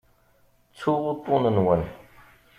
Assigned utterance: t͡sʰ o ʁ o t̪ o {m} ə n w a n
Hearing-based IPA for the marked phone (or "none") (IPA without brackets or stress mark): n